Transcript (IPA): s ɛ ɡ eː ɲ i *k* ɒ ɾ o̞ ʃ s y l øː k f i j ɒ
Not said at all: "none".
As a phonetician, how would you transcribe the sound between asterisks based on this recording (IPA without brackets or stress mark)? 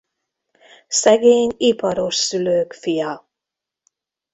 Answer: p